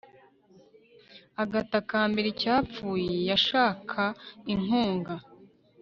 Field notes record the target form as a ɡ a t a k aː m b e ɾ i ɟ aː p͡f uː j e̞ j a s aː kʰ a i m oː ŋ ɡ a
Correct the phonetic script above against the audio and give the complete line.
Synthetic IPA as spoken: a ɡ a t a k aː m b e ɾ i c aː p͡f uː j e̞ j a ʃ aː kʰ a i ŋ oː ŋ ɡ a